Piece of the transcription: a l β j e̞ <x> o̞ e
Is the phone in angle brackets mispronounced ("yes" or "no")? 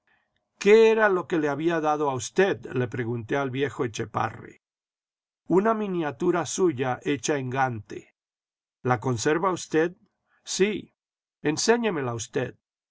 no